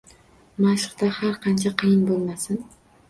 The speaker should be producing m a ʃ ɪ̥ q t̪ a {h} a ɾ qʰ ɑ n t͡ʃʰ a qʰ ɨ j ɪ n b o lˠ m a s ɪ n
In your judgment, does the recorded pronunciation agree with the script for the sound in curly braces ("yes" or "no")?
yes